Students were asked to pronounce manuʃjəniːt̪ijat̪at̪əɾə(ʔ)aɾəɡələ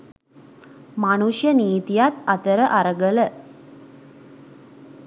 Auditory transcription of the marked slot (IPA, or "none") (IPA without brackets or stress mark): ʔ